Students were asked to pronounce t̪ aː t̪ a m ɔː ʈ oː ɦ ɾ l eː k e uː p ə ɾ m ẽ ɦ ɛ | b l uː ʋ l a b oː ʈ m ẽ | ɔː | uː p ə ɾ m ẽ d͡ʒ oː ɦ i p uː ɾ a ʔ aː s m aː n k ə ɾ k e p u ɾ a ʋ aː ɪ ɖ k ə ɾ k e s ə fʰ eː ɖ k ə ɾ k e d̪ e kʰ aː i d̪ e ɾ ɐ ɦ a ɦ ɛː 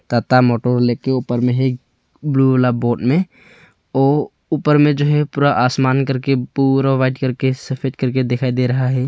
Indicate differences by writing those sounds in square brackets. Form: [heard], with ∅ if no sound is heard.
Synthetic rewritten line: t̪ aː t̪ a m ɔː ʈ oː [∅] ɾ l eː k e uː p ə ɾ m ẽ ɦ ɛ | b l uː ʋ l a b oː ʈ m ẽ | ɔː | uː p ə ɾ m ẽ d͡ʒ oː ɦ [ɛ] p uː ɾ a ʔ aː s m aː n k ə ɾ k e p u ɾ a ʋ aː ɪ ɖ k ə ɾ k e s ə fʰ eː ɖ k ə ɾ k e d̪ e kʰ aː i d̪ e ɾ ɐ ɦ a ɦ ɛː